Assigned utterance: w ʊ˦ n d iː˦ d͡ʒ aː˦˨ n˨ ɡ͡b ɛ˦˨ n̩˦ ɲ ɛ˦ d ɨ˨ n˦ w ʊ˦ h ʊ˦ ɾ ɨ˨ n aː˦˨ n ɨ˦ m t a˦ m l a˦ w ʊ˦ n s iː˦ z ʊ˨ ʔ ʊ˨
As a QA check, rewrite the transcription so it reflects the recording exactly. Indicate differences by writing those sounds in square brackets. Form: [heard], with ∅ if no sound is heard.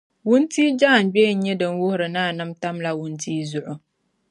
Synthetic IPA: w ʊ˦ n [t] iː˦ d͡ʒ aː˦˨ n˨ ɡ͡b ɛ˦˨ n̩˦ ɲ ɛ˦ d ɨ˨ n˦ w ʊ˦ h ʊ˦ ɾ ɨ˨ n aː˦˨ n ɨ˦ m t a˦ m l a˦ w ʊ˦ n [t] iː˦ z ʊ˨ ʔ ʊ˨

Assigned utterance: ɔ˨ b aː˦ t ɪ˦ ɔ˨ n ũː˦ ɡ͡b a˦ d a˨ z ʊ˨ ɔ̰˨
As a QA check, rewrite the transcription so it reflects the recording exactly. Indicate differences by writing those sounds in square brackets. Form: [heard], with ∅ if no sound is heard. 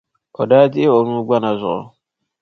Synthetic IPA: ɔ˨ [d] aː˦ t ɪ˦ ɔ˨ n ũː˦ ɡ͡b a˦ [n] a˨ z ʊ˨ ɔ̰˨

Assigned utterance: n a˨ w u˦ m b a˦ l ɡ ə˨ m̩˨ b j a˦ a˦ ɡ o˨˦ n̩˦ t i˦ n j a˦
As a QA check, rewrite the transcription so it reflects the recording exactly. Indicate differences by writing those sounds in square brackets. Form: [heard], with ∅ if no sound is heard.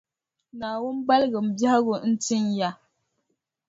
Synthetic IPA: n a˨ w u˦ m b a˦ l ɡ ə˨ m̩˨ b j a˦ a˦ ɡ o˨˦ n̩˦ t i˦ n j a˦

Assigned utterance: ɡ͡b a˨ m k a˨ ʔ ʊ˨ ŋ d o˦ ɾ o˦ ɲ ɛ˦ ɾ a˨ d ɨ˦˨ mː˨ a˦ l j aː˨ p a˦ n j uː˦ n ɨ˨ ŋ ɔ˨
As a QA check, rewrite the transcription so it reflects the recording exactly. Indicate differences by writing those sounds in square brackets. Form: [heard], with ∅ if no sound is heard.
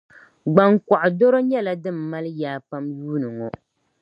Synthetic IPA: ɡ͡b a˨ [ŋ] k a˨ ʔ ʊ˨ [∅] d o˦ ɾ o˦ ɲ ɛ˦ [l] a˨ d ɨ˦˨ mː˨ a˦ l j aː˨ p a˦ [m] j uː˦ n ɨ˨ ŋ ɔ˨

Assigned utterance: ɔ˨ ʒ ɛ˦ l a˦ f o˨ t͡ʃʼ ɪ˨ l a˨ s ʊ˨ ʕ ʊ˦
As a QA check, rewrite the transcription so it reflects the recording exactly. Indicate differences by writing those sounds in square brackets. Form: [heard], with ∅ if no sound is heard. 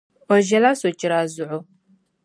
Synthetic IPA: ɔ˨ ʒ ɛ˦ l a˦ [s] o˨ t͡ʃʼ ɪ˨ [ɾ] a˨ [z] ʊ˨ ʕ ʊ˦

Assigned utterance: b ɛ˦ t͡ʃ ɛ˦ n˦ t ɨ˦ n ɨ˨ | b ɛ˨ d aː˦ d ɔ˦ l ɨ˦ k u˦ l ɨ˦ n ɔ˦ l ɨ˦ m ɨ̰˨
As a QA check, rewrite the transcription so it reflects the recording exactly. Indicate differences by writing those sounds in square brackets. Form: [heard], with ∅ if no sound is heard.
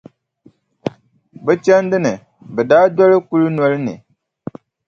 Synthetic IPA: b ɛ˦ t͡ʃ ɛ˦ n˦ [d] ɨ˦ n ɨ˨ | b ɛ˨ d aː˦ d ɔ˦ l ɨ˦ k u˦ l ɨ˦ n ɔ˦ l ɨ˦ [n] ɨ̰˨

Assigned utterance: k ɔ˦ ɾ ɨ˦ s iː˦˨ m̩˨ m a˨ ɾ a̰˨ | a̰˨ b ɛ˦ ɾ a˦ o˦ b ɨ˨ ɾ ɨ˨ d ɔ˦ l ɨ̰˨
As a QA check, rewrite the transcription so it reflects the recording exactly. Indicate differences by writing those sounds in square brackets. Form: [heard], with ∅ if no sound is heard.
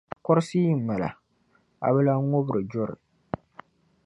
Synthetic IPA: k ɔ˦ ɾ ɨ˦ s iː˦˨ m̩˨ m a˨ [l] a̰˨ | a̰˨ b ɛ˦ [l] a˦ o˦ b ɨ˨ ɾ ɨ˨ [d͡ʒ] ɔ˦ [ɾ] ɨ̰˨

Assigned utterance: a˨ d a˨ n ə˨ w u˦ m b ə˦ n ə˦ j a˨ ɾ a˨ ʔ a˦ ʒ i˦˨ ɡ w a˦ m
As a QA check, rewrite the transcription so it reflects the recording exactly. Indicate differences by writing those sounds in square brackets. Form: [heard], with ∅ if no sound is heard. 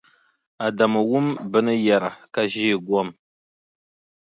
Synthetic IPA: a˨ d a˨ [m] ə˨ w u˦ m b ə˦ n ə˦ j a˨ ɾ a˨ [k] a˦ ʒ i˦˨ ɡ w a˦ m

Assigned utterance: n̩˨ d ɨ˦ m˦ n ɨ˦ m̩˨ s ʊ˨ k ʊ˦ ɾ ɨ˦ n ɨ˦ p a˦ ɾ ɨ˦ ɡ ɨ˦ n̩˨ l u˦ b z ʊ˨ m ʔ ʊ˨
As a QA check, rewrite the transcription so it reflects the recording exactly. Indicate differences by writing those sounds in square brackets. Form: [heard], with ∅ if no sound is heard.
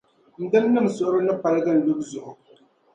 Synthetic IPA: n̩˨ d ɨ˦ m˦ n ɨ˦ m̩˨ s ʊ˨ [ʔ] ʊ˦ ɾ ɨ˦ n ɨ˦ p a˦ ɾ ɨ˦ ɡ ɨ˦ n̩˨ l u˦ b z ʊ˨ [∅] ʔ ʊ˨

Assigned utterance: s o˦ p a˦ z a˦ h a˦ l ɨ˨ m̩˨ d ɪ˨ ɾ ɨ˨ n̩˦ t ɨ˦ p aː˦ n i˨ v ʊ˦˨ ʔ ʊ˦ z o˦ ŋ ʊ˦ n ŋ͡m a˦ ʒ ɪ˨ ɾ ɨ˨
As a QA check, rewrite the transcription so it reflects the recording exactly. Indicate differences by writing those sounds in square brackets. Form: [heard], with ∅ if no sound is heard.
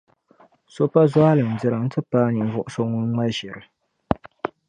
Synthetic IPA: s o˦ p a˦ z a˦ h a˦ l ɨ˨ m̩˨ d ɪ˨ ɾ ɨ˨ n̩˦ t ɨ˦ p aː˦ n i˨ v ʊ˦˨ ʔ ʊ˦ [s] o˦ ŋ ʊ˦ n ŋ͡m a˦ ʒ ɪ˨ ɾ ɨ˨

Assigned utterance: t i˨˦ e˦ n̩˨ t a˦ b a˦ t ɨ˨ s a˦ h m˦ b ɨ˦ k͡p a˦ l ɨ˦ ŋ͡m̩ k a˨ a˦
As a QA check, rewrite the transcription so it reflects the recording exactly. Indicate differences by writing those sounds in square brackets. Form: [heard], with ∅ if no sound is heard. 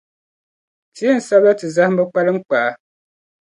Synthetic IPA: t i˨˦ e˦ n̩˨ [s] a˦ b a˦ t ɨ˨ [z] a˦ h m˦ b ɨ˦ k͡p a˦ l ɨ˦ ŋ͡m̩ [k͡p] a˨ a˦

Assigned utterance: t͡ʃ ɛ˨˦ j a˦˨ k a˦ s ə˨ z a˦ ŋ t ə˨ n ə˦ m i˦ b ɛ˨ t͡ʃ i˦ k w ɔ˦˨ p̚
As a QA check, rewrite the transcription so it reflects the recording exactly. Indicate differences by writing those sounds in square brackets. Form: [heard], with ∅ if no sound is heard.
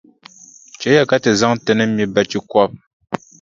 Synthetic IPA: t͡ʃ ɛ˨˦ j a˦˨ k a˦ [t] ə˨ z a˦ ŋ t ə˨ n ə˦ m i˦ b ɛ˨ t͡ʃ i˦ k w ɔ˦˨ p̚

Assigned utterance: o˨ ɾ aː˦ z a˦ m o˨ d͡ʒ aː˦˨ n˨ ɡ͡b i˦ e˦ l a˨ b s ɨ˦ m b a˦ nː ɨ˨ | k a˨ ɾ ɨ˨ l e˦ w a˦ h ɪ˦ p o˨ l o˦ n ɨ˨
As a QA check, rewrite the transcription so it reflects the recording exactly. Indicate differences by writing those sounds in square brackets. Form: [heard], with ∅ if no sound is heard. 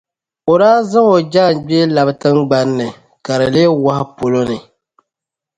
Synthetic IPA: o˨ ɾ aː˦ z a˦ [ŋ] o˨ d͡ʒ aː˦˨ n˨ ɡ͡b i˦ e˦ l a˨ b [t] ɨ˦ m [ɡ͡b] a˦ nː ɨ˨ | k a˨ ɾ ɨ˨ l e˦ w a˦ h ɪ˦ p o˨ l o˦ n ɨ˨

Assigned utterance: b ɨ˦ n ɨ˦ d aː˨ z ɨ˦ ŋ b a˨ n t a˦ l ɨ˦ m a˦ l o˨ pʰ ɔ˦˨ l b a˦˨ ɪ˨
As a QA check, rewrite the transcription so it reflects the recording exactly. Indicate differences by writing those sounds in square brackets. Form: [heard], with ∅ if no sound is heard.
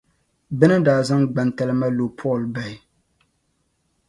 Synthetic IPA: b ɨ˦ n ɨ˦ d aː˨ z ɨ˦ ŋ [ɡ͡b] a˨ n t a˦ l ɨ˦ m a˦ l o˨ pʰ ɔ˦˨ l b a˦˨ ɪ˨

